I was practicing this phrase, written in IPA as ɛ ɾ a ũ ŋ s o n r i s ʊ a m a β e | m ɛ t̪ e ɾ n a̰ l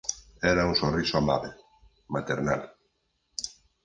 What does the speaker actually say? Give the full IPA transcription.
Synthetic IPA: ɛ ɾ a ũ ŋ s o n r i s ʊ a m a β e | m a t̪ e ɾ n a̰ l